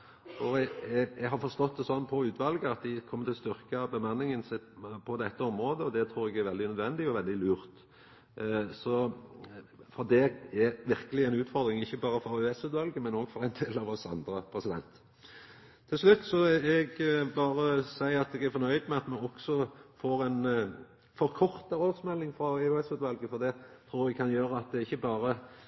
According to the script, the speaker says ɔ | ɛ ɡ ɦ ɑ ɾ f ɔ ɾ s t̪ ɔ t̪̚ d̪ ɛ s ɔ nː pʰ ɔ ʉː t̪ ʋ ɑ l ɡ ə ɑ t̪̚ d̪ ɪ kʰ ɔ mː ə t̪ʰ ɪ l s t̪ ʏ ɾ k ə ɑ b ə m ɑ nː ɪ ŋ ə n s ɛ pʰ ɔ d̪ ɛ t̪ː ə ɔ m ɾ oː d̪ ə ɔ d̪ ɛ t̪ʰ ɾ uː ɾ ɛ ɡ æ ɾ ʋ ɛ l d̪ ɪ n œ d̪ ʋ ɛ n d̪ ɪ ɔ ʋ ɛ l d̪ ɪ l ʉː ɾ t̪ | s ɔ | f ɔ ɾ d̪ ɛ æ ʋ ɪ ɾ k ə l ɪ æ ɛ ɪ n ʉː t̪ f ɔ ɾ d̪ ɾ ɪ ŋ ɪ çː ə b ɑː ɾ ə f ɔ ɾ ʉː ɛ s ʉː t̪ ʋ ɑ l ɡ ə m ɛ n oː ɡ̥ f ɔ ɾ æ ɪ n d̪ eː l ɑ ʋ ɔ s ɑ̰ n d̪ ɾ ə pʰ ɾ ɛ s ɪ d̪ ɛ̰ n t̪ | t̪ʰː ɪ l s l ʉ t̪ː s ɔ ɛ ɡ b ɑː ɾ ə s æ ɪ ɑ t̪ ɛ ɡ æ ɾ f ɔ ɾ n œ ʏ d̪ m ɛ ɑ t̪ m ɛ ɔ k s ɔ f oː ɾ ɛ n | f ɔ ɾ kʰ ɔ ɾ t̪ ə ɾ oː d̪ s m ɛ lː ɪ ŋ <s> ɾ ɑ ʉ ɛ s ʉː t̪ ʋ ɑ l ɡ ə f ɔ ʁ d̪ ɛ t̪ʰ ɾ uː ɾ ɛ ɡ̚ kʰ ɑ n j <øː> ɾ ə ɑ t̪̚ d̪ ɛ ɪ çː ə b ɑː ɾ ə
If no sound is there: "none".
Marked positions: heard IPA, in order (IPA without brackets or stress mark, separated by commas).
f, øː